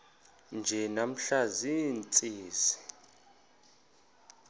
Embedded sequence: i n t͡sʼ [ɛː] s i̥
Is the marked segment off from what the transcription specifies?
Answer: yes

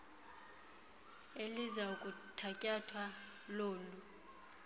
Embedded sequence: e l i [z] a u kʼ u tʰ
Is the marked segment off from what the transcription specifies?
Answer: no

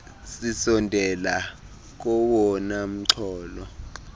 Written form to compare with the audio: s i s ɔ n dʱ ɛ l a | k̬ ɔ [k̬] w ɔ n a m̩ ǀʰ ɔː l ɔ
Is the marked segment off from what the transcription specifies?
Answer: yes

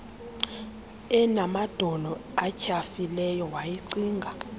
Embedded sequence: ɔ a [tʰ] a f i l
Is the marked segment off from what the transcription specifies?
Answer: yes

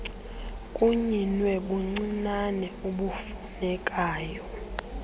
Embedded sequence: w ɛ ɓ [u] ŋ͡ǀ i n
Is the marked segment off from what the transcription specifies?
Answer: no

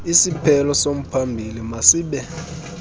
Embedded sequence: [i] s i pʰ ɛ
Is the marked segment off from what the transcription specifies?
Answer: no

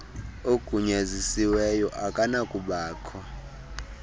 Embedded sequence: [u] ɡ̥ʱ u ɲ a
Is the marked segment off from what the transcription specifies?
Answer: yes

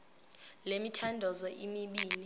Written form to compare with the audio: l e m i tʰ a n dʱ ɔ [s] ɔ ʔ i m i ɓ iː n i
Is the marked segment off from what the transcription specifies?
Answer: yes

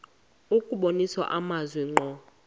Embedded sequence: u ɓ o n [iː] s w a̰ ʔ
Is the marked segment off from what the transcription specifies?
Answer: yes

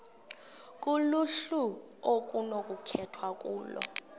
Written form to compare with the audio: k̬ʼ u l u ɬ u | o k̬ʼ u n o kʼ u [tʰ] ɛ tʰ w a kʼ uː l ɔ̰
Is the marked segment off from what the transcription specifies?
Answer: yes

